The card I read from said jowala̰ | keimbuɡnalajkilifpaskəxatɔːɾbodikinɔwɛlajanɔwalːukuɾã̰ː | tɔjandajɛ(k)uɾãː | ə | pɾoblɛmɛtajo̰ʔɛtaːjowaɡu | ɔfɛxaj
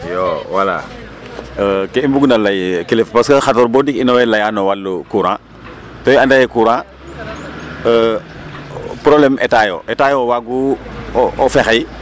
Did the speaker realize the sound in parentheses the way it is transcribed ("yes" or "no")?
yes